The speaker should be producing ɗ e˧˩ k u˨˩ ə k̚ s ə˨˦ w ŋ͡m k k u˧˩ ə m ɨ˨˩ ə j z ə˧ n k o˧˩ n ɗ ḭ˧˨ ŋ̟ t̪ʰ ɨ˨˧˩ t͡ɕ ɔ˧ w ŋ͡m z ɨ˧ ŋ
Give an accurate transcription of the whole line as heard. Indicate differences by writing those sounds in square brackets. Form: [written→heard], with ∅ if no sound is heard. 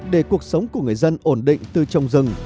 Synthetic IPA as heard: ɗ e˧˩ k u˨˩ ə k̚ s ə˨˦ w ŋ͡m k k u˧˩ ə [m→ŋ] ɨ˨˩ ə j z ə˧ n [k→ʔ] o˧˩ n ɗ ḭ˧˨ ŋ̟ [t̪ʰ→t̪] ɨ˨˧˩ t͡ɕ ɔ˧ w ŋ͡m z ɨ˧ ŋ